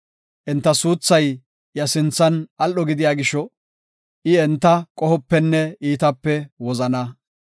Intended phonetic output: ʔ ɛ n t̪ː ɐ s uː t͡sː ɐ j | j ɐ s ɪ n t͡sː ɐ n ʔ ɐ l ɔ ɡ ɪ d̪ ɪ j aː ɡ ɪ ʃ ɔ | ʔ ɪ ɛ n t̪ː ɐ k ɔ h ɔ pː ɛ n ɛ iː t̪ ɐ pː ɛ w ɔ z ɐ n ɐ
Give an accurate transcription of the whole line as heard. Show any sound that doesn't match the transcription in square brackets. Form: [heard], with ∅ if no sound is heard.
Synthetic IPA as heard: ʔ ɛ n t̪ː ɐ s uː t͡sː ɐ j | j ɐ s ɪ n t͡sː ɐ n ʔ ɐ l ɔ ɡ ɪ d̪ ɪ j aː ɡ ɪ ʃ ɔ | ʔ ɪ ɛ n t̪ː ɐ [kʼ] ɔ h ɔ pː ɛ [nː] ɛ iː t̪ ɐ pː ɛ w ɔ z ɐ n ɐ